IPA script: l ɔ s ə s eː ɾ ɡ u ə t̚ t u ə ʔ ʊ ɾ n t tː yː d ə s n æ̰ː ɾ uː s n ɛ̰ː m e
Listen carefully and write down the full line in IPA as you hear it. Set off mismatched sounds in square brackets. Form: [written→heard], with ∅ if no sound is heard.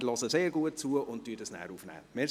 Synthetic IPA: l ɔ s ə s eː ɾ ɡ u ə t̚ [t→t͡s] u ə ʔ ʊ [ɾ→∅] n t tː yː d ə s n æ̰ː ɾ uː [s→f] n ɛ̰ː m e